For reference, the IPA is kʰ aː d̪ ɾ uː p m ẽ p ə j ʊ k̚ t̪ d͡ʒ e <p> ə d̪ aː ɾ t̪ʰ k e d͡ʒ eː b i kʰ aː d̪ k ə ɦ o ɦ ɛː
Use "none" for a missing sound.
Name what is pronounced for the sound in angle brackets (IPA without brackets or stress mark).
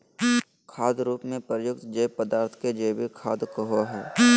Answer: p